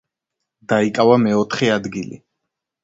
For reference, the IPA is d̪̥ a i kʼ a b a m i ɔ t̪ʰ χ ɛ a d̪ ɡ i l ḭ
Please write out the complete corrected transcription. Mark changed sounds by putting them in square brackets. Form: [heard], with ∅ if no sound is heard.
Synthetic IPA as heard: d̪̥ a i kʼ a [v] a m [ɛ] ɔ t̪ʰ χ ɛ a d̪ ɡ i l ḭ